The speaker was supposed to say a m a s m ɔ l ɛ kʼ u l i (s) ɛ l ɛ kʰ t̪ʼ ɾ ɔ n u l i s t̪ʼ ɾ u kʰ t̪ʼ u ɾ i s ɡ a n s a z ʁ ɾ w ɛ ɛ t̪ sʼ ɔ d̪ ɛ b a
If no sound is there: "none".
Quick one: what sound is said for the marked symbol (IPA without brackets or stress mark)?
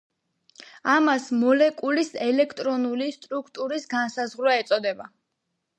s